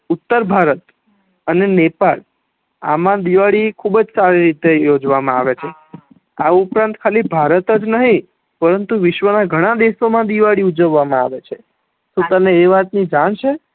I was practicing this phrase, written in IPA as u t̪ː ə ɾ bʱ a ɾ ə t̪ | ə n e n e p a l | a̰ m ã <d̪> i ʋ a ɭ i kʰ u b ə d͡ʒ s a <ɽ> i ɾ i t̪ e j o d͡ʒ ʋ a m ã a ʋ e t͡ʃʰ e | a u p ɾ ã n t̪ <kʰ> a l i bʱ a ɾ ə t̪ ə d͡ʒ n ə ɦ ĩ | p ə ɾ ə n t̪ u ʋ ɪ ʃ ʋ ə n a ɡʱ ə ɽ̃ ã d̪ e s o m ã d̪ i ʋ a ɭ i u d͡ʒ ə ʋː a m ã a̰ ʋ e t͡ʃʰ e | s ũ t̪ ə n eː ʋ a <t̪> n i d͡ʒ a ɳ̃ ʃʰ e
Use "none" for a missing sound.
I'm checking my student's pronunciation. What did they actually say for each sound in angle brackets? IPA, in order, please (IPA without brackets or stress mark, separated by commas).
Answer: d̪, ɾ, kʰ, t̪